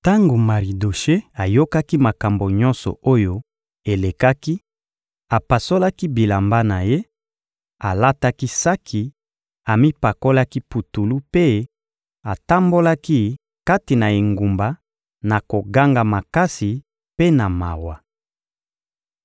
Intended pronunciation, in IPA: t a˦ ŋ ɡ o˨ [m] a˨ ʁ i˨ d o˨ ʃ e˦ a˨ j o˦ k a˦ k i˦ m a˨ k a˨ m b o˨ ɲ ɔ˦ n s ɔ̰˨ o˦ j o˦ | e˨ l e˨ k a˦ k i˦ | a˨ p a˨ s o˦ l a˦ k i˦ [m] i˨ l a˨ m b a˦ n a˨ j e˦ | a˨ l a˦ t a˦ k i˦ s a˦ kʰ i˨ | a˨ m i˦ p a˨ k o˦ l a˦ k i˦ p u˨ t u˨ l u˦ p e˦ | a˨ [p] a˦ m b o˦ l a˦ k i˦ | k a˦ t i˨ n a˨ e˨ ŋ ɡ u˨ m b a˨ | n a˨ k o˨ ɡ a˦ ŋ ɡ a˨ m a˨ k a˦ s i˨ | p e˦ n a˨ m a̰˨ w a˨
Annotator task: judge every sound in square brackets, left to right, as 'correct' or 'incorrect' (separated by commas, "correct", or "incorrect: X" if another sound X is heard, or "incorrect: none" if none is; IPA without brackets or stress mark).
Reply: correct, incorrect: b, incorrect: t